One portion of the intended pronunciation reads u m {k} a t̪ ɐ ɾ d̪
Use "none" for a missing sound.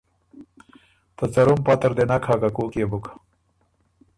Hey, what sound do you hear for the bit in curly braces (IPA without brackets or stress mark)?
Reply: p